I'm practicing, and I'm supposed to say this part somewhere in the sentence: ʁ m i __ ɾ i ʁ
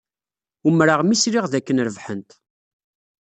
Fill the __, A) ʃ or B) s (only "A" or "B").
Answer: B